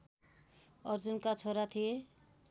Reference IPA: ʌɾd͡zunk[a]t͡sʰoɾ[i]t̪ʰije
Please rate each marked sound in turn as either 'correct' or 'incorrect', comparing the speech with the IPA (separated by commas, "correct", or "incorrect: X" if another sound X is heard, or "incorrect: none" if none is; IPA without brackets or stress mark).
correct, incorrect: a